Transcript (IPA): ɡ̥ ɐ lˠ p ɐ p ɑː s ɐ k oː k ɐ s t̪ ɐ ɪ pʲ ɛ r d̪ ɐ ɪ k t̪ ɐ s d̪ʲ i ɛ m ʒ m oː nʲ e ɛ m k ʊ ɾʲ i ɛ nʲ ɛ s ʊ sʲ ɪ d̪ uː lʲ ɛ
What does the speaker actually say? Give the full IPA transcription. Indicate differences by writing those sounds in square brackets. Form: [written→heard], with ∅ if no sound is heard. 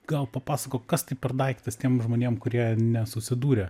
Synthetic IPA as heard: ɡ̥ ɐ lˠ p ɐ p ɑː s ɐ k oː k ɐ s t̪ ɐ ɪ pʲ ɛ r d̪ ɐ ɪ k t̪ ɐ s [d̪ʲ→t̪ʲ] i ɛ m ʒ m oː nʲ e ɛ m k ʊ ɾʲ i ɛ nʲ ɛ s ʊ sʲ ɪ d̪ uː [lʲ→ɾʲ] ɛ